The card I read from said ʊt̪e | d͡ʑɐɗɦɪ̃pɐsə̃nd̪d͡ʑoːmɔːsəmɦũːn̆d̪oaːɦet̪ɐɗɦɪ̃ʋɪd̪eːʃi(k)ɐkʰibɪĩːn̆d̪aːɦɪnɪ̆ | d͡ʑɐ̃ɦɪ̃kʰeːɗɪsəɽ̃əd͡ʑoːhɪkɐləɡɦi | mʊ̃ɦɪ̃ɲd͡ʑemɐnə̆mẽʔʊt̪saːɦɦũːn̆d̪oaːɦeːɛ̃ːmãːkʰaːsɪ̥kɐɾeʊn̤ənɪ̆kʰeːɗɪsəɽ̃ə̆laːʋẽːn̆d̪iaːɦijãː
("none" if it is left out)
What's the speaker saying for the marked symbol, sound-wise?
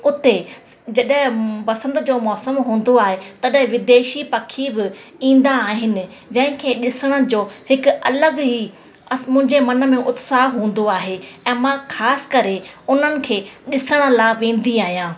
p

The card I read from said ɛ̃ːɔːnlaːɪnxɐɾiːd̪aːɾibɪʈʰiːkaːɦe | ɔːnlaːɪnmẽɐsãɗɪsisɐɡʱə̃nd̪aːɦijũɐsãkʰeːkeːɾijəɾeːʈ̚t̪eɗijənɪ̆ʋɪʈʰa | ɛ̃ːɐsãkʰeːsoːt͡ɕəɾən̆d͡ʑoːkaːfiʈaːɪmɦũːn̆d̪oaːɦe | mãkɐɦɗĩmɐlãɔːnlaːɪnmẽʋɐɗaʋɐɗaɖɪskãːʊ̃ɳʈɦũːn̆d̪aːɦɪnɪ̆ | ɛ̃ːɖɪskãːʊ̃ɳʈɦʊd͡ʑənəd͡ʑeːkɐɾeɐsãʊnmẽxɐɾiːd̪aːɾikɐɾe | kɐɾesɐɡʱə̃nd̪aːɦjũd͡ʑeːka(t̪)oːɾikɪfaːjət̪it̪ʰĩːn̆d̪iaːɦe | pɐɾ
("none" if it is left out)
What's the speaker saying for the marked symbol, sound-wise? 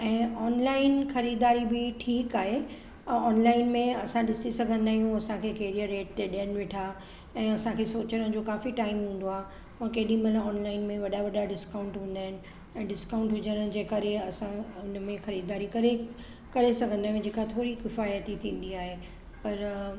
t̪ʰ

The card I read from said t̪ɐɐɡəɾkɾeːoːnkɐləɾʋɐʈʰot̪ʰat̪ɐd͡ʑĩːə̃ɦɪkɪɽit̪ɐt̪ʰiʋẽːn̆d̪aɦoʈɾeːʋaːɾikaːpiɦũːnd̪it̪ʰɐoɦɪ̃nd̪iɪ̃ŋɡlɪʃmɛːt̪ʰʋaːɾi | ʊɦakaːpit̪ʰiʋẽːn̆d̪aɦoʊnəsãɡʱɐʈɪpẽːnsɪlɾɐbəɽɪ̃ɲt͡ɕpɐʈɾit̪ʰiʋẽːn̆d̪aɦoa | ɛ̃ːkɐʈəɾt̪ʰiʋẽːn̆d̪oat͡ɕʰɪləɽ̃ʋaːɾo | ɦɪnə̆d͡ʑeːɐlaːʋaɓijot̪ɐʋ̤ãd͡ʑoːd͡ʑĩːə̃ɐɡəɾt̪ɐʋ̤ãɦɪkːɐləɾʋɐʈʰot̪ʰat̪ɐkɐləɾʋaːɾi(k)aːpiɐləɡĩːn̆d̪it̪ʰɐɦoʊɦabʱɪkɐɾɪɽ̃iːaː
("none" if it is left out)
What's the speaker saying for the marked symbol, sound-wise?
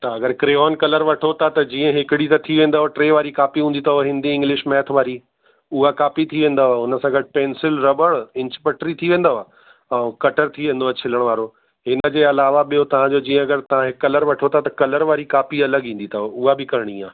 k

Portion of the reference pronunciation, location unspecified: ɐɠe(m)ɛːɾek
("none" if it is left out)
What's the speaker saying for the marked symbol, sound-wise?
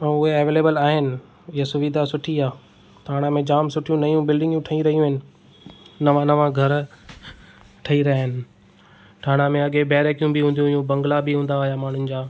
b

